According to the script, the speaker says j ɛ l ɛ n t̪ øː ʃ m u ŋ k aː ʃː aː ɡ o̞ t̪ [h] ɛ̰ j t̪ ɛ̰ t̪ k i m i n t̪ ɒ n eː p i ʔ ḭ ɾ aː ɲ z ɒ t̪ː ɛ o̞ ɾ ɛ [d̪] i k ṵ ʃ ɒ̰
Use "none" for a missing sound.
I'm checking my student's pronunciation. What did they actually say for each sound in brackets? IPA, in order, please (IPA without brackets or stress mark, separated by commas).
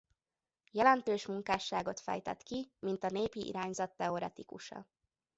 f, t̪